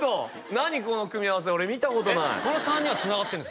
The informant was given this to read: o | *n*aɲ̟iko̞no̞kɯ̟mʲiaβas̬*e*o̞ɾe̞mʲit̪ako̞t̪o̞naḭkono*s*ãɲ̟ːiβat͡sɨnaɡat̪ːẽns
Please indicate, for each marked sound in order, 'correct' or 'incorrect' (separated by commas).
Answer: correct, correct, correct